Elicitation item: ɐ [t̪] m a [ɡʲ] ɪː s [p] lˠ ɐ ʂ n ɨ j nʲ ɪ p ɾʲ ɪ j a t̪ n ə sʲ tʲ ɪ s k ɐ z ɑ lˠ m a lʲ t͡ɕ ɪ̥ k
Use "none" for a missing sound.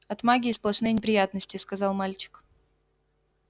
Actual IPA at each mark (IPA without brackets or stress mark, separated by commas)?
t̪, ɡʲ, p